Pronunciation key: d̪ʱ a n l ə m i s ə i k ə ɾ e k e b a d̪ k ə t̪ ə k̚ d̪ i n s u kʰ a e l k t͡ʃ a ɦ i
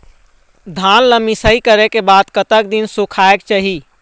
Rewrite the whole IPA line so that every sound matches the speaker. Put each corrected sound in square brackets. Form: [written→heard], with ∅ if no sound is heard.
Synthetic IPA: d̪ʱ a n l ə m i s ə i k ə ɾ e k e b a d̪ k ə t̪ ə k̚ d̪ i n s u kʰ a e [l→∅] k t͡ʃ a ɦ i